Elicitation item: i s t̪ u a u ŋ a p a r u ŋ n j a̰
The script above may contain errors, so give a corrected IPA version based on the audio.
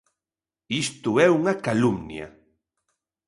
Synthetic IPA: i s t̪ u ɛ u ŋ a k a l u m n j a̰